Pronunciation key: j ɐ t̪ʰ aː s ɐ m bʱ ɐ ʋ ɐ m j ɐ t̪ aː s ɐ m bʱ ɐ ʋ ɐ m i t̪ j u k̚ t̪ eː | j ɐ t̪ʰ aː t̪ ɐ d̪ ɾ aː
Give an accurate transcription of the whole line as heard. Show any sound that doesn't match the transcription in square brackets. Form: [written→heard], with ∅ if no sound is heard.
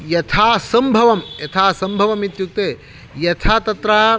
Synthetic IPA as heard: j ɐ t̪ʰ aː s ɐ m bʱ ɐ ʋ ɐ m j ɐ [t̪→t̪ʰ] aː s ɐ m bʱ ɐ ʋ ɐ m i t̪ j u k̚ t̪ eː | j ɐ t̪ʰ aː t̪ ɐ [d̪→t̪] ɾ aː